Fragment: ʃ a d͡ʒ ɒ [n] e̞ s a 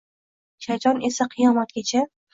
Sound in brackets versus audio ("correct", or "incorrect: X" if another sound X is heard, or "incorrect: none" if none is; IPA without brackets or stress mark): correct